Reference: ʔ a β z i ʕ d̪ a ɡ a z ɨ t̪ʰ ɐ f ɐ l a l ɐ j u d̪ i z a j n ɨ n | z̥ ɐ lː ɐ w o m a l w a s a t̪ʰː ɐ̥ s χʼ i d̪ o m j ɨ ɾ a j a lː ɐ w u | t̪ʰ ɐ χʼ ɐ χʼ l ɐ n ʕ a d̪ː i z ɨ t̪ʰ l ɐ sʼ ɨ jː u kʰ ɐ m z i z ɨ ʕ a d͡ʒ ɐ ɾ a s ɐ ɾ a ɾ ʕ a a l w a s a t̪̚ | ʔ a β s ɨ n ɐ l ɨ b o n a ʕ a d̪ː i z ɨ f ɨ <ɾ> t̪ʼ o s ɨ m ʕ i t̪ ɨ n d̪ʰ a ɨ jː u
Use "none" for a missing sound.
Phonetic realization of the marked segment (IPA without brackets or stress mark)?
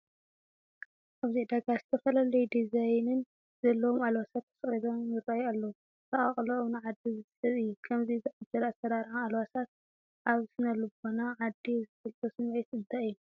l